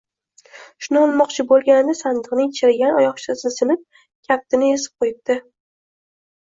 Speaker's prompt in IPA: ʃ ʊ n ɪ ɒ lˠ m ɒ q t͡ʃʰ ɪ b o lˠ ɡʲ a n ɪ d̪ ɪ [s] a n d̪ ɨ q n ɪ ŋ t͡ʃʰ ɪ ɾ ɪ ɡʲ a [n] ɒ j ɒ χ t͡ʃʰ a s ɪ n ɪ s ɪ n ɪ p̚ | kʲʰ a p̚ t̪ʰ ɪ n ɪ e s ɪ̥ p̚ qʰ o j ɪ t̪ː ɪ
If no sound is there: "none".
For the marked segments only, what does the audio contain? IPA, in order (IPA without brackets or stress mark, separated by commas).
s, n